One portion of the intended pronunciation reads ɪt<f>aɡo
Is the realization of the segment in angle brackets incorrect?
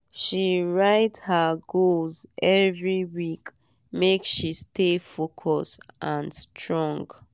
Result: yes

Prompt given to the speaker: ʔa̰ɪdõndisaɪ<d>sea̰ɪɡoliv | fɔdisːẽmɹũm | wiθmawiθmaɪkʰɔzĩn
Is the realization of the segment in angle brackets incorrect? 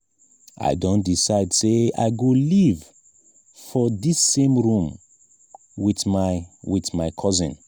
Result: no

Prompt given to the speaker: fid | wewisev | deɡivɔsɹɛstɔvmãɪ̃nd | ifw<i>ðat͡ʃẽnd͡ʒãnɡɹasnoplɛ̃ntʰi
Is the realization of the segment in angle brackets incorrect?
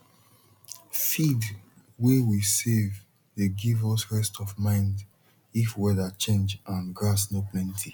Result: yes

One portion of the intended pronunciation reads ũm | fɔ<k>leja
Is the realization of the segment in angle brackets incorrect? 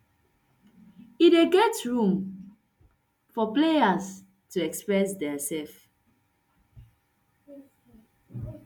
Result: yes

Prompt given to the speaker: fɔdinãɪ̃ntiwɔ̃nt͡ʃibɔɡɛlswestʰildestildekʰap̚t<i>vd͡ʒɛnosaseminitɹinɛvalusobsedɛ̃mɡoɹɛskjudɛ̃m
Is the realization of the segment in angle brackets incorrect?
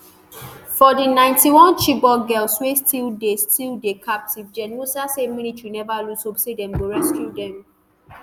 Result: no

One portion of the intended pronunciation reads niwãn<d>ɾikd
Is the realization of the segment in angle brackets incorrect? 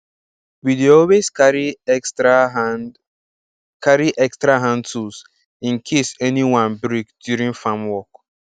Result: yes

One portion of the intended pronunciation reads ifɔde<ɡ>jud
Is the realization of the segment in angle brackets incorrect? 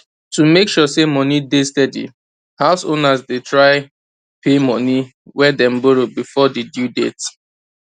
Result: yes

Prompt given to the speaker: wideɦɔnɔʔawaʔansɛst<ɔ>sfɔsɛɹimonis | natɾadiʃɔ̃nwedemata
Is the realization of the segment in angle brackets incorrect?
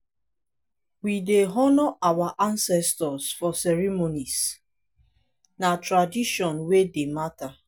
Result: no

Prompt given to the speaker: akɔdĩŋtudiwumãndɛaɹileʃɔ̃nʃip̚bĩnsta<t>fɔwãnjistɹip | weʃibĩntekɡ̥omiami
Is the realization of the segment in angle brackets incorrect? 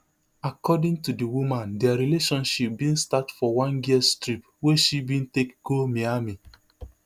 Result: no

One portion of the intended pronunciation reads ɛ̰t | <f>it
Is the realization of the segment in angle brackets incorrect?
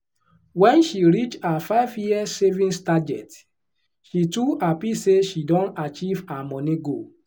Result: yes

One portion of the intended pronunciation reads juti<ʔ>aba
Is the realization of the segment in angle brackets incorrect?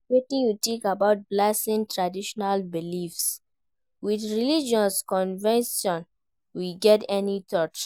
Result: yes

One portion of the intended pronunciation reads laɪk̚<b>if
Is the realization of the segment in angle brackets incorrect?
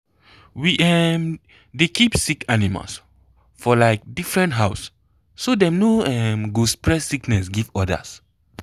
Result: yes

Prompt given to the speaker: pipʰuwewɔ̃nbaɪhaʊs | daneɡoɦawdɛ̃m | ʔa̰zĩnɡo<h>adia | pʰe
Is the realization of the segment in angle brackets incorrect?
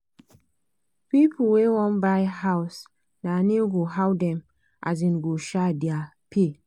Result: yes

